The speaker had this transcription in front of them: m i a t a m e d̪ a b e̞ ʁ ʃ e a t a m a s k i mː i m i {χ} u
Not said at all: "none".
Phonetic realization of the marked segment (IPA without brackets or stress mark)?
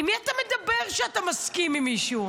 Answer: ʃ